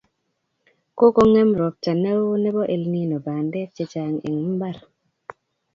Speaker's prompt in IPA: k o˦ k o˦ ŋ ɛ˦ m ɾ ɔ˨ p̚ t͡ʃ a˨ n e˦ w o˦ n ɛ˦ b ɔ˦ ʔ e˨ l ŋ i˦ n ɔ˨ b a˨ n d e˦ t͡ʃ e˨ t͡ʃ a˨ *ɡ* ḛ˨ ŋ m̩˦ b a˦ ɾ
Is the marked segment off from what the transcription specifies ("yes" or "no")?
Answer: yes